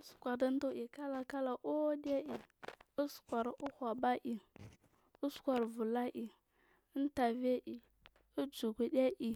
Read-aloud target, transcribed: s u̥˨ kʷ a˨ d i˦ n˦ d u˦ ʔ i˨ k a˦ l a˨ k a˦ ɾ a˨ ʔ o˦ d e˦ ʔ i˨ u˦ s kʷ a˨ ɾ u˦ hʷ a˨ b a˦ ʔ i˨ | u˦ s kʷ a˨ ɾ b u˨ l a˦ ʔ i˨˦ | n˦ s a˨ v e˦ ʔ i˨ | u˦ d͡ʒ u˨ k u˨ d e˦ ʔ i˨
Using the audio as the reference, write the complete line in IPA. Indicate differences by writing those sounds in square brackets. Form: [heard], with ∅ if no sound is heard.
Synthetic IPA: s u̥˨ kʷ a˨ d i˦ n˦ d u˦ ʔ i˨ k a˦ l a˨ k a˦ [l] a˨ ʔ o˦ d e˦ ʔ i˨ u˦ s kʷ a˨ ɾ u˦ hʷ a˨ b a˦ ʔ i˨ | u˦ s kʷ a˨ ɾ [v] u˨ l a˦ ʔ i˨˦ | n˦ [t] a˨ v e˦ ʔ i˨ | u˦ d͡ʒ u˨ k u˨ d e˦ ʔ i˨